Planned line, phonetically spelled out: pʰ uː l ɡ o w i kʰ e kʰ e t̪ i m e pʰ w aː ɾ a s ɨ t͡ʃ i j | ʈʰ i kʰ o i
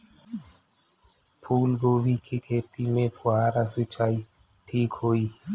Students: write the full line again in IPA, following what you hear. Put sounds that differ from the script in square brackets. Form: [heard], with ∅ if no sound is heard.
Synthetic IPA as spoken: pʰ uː l ɡ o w i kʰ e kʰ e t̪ i m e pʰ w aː ɾ a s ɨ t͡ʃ [a] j | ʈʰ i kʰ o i